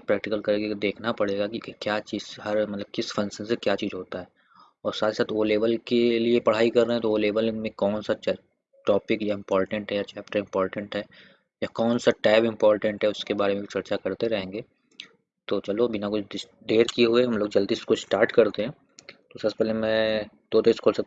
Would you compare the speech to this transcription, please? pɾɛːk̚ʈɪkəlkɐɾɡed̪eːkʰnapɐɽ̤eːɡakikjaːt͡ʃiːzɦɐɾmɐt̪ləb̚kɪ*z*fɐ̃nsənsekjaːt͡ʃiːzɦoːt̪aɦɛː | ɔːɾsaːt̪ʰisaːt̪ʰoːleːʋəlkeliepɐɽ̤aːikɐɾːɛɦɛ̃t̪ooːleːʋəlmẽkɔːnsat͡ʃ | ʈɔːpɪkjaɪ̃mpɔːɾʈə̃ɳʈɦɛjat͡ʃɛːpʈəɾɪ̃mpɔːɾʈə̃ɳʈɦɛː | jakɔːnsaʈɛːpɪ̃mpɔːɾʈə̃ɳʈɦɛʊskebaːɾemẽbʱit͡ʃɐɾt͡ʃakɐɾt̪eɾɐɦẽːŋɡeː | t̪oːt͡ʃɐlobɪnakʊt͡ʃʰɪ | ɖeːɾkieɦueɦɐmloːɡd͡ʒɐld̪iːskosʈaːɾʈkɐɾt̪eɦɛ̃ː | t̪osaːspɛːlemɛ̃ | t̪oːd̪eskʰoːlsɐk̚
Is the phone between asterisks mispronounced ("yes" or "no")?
yes